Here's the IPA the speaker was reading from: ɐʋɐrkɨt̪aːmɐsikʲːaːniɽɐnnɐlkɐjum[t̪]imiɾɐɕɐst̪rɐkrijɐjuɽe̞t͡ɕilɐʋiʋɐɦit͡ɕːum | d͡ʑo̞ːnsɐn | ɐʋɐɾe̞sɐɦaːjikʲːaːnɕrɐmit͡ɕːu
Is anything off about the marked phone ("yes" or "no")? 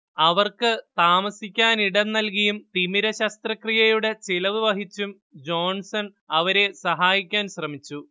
no